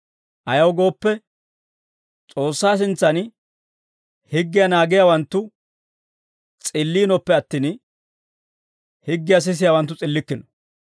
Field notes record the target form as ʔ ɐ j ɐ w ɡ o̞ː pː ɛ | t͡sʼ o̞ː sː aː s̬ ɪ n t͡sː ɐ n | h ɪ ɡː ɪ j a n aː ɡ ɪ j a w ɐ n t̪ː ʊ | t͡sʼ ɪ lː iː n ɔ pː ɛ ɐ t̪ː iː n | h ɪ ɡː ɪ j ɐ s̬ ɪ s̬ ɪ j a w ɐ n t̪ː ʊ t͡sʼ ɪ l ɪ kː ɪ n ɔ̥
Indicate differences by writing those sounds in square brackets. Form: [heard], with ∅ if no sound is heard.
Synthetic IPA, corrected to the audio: ʔ ɐ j ɐ w ɡ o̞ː pː ɛ | t͡sʼ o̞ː sː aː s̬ ɪ n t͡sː ɐ n | h ɪ ɡː ɪ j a n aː ɡ ɪ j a w ɐ n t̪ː ʊ | t͡sʼ ɪ lː iː n ɔ pː ɛ ɐ t̪ː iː n | h ɪ ɡː ɪ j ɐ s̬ ɪ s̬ ɪ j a w ɐ n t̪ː ʊ t͡sʼ ɪ [lː] ɪ kː ɪ n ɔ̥